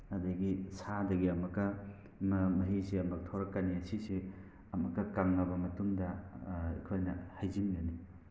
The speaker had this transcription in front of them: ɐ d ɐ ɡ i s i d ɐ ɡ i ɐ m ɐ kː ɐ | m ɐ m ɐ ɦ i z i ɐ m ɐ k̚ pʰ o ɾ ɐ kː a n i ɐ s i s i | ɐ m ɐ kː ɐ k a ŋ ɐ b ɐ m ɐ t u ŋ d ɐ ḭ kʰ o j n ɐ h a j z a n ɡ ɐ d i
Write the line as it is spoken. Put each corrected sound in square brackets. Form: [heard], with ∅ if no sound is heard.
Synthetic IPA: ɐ d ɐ ɡ i s [a] d ɐ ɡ i ɐ m ɐ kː ɐ | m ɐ m ɐ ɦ i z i ɐ m ɐ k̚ [tʰ] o ɾ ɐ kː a n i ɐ s i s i | ɐ m ɐ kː ɐ k a ŋ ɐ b ɐ m ɐ t u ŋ d ɐ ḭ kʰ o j n ɐ h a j z [i] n ɡ ɐ [n] i